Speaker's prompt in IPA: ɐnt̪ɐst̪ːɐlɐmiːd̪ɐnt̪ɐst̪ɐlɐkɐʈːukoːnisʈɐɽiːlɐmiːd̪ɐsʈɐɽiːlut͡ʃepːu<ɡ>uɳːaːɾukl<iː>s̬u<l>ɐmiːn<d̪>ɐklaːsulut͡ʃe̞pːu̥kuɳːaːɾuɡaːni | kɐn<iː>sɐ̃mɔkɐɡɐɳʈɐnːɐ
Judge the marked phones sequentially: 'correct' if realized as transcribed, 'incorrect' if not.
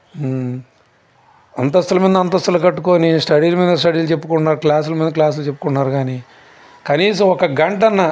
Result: incorrect, incorrect, correct, correct, correct

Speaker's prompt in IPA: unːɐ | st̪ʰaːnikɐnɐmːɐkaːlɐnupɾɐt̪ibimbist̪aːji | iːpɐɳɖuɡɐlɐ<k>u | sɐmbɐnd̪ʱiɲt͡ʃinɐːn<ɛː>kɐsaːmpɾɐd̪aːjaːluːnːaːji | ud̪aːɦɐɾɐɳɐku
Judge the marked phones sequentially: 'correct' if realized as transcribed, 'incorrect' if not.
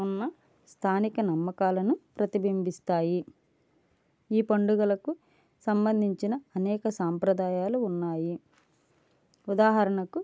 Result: correct, correct

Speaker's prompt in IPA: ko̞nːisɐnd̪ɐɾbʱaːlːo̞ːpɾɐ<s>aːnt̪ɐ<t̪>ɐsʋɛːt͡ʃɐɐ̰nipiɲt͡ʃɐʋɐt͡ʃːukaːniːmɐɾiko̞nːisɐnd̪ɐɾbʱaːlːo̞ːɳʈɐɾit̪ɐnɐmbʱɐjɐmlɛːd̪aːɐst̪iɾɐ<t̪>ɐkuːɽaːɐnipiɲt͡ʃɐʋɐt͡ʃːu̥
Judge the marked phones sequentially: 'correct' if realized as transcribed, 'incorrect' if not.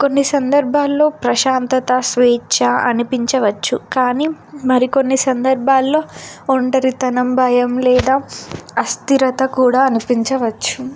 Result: incorrect, correct, correct

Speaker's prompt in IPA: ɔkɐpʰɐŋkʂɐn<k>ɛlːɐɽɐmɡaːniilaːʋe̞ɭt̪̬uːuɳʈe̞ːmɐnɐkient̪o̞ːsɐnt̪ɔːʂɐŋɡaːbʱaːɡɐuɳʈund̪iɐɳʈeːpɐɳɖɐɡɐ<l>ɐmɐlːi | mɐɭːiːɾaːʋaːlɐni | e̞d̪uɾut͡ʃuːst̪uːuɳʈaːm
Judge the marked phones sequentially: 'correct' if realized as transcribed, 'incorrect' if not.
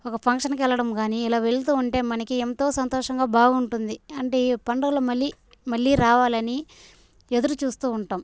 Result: correct, correct

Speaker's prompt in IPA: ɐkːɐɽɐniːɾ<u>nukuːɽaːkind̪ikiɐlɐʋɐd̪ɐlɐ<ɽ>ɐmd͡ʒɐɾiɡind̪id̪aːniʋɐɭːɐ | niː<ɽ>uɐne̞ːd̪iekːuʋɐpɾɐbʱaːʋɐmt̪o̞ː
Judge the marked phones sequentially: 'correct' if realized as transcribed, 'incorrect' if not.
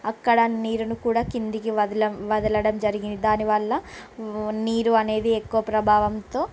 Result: correct, correct, incorrect

